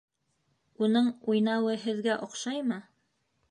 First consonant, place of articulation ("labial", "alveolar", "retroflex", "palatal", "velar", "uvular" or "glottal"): alveolar